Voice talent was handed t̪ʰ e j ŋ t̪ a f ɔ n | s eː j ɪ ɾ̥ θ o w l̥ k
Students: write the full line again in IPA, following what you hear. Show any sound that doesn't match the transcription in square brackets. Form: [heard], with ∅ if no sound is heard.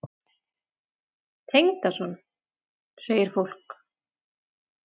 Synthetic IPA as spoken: t̪ʰ e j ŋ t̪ a [s] ɔ n | s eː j ɪ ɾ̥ [f] o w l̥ k